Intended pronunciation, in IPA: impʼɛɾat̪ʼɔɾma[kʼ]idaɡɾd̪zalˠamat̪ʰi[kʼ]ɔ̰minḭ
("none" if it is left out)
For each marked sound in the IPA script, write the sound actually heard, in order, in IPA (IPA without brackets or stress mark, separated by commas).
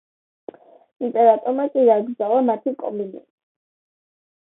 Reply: kʼ, kʼ